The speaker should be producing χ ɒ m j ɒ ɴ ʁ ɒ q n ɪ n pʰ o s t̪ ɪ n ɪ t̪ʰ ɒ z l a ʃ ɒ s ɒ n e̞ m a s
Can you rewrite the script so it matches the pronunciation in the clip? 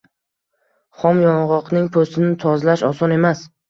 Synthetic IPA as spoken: χ ɒ m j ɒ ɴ ʁ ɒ q n ɪ ŋ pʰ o s t̪ ɪ n ɪ t̪ʰ ɒ z l a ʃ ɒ s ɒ n e̞ m a s